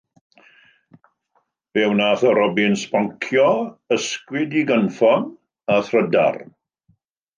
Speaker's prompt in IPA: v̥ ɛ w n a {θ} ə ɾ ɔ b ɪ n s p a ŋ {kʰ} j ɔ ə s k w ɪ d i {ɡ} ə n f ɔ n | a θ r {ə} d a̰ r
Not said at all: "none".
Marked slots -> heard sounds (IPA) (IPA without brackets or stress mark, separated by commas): θ, kʰ, ɡ, ə